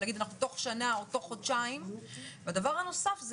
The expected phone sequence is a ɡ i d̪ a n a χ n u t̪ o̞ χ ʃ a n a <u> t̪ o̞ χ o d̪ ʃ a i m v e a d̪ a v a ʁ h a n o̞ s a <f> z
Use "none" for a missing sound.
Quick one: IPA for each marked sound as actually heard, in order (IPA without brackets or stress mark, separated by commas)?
o, f